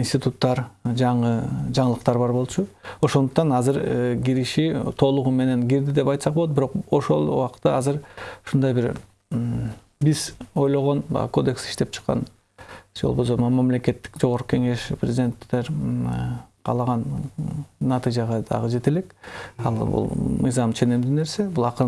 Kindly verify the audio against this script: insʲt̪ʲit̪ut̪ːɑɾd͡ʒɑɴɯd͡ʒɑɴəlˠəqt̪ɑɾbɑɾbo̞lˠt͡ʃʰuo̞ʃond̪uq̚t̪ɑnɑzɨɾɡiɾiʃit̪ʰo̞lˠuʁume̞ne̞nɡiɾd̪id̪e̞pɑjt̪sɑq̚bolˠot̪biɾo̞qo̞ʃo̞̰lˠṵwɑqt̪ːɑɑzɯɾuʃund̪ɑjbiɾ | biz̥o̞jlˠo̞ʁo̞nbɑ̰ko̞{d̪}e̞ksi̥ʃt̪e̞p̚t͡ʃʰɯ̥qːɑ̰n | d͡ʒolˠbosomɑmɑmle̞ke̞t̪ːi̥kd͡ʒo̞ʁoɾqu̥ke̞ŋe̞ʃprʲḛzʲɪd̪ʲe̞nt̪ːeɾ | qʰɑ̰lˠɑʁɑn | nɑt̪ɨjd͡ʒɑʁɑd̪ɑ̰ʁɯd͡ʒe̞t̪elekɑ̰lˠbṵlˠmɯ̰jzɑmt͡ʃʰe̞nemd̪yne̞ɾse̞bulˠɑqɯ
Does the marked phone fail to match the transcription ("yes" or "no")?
no